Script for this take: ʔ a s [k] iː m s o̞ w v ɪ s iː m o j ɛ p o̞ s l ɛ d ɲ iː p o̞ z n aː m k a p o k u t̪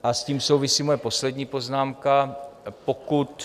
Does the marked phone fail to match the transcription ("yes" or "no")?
yes